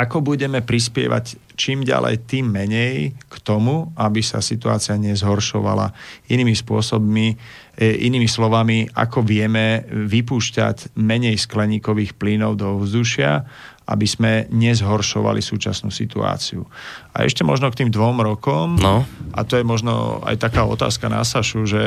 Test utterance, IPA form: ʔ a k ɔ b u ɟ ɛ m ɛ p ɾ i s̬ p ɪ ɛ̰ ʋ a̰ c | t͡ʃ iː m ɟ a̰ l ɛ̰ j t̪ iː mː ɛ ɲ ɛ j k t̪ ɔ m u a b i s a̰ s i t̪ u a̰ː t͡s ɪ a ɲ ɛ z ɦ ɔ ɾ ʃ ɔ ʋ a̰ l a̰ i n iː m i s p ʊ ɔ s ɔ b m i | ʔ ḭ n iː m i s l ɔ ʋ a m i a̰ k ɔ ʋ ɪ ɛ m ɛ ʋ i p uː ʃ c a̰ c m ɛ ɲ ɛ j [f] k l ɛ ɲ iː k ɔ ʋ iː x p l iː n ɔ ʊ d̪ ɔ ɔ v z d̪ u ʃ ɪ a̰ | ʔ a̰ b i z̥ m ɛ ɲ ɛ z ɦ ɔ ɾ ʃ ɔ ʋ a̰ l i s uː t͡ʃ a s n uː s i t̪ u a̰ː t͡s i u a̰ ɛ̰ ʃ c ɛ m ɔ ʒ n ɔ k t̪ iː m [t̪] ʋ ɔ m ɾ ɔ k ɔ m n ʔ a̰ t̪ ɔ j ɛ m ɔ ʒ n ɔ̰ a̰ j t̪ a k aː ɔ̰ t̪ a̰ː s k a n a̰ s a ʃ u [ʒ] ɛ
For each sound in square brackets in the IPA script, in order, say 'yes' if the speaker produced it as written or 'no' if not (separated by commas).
no, no, yes